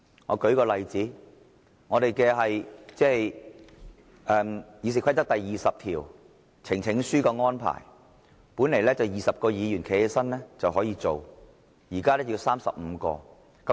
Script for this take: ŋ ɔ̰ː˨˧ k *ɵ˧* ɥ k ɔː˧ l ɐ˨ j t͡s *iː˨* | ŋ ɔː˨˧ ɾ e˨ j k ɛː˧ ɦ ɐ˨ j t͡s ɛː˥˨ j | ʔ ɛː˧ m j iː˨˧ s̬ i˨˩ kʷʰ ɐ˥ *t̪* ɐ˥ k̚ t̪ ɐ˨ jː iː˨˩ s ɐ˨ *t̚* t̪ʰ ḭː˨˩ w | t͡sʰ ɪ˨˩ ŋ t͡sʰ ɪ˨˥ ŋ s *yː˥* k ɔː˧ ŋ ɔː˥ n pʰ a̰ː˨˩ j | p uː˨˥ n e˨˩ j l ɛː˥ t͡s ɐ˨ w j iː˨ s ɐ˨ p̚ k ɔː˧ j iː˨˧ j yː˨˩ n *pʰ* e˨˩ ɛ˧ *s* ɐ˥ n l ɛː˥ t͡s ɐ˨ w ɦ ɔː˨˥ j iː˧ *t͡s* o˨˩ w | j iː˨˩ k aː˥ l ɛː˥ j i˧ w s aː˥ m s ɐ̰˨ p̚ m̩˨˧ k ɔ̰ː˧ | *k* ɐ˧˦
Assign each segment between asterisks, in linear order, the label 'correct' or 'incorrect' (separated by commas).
incorrect, incorrect, correct, incorrect, correct, incorrect, correct, correct, correct